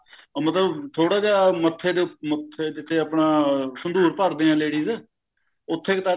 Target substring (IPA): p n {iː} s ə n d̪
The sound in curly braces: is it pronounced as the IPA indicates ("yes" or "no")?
no